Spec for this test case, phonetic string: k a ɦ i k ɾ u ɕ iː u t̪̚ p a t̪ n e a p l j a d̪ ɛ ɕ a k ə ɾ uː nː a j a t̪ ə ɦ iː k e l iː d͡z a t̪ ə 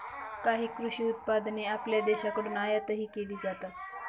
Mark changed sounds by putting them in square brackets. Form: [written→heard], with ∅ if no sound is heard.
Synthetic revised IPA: k a ɦ [i→iː] k ɾ u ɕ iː u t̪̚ p a [t̪→d̪] n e a p l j a d̪ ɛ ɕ a k ə [ɾ→ɽ] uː [nː→n] a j a t̪ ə ɦ iː k e l iː d͡z a t̪ [ə→a]